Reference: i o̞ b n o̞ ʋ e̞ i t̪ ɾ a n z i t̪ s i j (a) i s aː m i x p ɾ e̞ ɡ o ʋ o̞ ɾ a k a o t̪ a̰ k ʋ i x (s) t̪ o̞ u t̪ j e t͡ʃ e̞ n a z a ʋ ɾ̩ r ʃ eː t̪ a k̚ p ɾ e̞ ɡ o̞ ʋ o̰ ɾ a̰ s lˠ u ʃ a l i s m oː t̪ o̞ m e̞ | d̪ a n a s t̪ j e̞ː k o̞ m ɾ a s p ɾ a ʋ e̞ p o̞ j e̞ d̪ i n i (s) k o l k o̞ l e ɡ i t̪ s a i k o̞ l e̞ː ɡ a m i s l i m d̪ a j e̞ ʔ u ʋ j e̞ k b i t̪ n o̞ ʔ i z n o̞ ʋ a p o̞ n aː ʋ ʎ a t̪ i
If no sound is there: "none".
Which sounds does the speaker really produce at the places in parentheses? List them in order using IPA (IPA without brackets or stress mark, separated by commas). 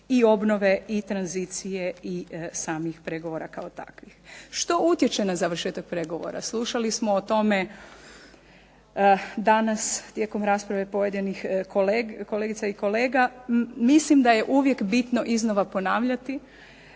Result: e, ʃ, x